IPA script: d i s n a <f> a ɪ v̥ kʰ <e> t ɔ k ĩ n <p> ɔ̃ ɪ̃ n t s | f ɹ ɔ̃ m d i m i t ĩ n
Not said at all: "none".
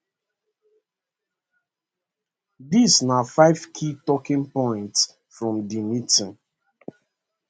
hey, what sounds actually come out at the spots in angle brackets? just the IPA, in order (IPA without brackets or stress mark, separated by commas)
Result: f, i, p